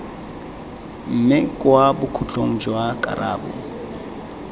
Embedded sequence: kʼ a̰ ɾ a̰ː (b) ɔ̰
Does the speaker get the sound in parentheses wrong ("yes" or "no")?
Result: no